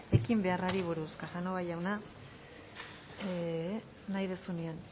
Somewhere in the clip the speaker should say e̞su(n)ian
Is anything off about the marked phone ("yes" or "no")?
no